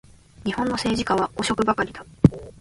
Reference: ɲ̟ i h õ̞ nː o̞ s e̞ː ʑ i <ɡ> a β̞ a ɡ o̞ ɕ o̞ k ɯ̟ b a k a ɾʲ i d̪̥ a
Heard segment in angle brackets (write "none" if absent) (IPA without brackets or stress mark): k